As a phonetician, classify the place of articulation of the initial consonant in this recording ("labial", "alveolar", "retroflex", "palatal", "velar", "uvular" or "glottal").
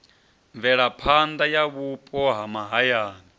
labial